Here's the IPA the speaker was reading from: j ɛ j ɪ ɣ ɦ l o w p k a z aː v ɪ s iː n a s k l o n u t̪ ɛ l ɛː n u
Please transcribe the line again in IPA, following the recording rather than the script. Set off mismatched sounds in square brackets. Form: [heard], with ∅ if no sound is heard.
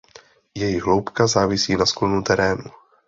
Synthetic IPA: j ɛ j ɪ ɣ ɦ l o w p k a z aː v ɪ s iː n a s k l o n u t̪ ɛ [ɾ] ɛː n u